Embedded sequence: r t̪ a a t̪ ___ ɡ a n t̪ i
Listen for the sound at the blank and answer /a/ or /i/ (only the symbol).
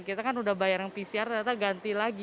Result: a